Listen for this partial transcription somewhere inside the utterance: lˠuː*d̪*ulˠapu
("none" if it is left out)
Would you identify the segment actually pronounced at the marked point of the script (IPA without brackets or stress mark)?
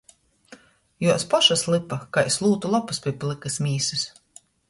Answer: t̪